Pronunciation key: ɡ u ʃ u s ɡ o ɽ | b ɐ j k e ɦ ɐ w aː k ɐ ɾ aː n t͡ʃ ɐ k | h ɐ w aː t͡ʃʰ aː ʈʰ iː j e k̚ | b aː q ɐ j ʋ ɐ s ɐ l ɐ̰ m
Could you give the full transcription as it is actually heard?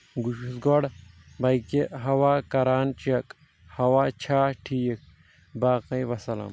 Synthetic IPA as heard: ɡ u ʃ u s ɡ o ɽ | b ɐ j k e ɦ ɐ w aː k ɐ ɾ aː n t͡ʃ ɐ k | h ɐ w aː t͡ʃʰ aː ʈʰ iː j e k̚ | b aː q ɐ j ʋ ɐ s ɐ l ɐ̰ m

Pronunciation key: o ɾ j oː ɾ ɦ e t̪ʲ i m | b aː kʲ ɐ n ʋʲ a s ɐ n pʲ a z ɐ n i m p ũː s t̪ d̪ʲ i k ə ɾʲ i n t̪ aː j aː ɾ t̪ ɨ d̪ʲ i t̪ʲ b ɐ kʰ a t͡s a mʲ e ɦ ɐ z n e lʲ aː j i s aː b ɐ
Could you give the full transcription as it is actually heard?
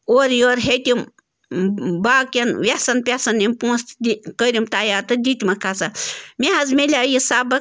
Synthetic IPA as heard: o ɾ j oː ɾ ɦ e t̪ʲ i m | b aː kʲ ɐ n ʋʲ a s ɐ n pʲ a s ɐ n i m p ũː s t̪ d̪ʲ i k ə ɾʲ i m t̪ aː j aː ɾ t̪ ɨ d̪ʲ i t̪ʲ m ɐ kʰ a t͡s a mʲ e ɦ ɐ z m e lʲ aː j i s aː b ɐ

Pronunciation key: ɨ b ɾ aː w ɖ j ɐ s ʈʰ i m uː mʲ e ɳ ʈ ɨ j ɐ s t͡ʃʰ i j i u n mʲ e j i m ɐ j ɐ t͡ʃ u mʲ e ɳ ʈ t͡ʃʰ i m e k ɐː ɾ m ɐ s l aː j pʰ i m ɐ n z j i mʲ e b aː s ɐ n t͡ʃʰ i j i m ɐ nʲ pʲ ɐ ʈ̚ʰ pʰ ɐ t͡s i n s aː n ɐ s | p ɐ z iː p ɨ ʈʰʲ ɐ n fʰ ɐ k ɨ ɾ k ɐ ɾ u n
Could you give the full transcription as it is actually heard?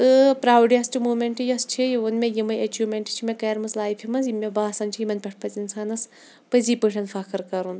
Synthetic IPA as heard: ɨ p ɾ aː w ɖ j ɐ s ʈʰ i m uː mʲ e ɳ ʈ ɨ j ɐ s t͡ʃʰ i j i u n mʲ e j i m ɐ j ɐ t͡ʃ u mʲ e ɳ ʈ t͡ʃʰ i m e k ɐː ɾ m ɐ s l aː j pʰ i m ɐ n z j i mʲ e b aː s ɐ n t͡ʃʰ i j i m ɐ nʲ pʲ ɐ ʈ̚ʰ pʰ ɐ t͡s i n s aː n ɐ s | p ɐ z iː p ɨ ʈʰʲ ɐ n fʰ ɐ k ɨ ɾ k ɐ ɾ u n

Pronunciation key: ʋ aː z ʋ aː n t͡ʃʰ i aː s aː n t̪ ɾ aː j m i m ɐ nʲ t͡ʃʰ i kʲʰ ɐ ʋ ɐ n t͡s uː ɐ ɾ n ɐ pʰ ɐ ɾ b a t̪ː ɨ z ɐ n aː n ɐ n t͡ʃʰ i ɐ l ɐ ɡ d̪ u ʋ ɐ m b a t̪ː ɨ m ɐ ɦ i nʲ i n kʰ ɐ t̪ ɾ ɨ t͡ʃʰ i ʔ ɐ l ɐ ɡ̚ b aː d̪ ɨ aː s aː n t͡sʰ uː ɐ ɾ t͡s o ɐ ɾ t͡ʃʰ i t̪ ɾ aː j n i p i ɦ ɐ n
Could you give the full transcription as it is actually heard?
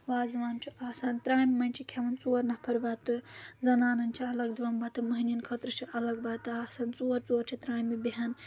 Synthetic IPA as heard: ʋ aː z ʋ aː n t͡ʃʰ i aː s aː n t̪ ɾ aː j m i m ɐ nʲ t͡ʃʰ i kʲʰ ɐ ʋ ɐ n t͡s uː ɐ ɾ n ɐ pʰ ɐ ɾ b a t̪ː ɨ z ɐ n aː n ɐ n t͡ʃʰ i ɐ l ɐ ɡ d̪ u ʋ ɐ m b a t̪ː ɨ m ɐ ɦ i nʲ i n kʰ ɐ t̪ ɾ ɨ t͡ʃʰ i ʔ ɐ l ɐ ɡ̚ b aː t̪ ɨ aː s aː n t͡s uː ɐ ɾ t͡s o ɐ ɾ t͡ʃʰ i t̪ ɾ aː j m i b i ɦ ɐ n

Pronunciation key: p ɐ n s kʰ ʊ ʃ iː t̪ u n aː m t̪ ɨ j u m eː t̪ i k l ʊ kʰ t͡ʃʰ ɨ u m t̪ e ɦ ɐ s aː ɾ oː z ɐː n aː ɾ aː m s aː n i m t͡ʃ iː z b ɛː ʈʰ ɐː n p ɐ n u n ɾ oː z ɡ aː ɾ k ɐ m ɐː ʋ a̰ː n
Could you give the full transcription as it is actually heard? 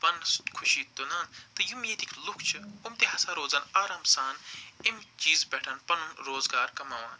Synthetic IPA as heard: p ɐ n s kʰ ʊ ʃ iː t̪ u n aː n t̪ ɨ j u m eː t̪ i k l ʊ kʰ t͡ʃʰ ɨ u m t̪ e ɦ ɐ s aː ɾ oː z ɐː n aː ɾ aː m s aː n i m t͡ʃ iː z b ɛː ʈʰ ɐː n p ɐ n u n ɾ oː z ɡ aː ɾ k ɐ m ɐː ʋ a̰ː n

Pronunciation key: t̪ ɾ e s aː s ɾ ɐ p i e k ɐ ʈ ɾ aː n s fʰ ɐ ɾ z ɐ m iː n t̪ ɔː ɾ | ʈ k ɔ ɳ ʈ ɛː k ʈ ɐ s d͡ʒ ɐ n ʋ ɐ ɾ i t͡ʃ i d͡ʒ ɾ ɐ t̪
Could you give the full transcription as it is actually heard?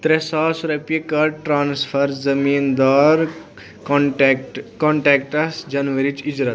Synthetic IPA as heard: t̪ ɾ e s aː s ɾ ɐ p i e k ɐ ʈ ɾ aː n s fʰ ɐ ɾ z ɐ m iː n d̪ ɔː ɾ | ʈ k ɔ ɳ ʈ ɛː k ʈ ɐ s d͡ʒ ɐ n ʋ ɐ ɾ i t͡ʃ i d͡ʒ ɾ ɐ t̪

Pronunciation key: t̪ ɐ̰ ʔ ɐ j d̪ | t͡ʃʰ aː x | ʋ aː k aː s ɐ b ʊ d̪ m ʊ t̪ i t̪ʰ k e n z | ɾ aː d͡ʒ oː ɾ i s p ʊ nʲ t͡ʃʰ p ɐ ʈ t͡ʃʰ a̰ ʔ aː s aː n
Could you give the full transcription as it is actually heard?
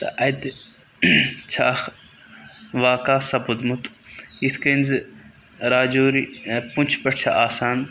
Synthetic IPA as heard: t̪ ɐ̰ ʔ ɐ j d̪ | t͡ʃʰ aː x | ʋ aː k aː s ɐ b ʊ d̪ m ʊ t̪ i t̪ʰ k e n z | ɾ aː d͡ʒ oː ɾ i p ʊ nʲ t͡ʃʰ p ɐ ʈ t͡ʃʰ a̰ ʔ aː s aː n

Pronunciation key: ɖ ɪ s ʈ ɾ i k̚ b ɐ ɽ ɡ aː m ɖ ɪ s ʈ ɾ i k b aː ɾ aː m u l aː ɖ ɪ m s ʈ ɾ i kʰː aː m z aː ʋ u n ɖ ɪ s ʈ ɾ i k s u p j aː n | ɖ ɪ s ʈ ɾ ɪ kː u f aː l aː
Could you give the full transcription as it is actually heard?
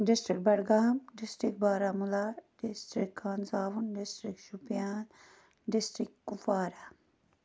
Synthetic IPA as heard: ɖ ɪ s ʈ ɾ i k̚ b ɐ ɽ ɡ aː m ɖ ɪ s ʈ ɾ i k b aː ɾ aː m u l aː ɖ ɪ s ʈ ɾ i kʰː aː n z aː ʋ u n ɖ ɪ s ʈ ɾ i k ʃ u p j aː n | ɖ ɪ s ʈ ɾ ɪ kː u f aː ɾ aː

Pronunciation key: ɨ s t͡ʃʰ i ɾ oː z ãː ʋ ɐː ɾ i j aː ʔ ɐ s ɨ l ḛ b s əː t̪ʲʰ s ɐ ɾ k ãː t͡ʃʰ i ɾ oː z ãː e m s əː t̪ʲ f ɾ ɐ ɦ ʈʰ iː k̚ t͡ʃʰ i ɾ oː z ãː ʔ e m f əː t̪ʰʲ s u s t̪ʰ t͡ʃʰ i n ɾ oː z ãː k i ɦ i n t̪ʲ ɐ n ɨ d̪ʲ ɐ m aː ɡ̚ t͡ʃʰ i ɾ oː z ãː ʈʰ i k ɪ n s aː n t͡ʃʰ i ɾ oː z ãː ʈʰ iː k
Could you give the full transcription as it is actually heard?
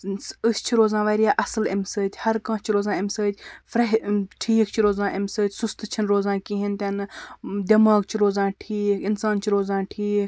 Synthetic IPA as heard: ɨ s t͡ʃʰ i ɾ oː z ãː ʋ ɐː ɾ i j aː ʔ ɐ s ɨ l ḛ m s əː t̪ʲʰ h ɐ ɾ k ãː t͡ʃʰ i ɾ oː z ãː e m s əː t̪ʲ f ɾ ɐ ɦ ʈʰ iː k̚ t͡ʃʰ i ɾ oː z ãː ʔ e m s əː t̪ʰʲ s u s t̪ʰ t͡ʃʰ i n ɾ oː z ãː k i ɦ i n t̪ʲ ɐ n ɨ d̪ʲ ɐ m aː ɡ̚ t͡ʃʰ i ɾ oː z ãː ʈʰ iː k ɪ n s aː n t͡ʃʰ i ɾ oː z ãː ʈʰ iː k

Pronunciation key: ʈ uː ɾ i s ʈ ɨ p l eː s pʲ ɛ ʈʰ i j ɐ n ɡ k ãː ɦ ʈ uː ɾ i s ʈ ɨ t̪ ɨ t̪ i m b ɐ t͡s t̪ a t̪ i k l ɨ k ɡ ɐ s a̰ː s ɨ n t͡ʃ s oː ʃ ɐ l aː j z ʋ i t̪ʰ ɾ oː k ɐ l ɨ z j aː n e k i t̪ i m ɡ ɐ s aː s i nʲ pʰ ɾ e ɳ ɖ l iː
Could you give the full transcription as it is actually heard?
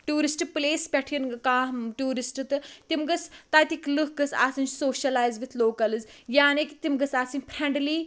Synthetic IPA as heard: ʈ uː ɾ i s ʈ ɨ p l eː s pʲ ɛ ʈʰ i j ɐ n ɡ k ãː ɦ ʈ uː ɾ i s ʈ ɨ t̪ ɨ t̪ i m ɡ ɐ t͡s t̪ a t̪ i k l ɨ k ɡ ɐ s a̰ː s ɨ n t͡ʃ s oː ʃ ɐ l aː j z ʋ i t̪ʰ l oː k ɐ l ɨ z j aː n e k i t̪ i m ɡ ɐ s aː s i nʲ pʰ ɾ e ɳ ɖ l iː

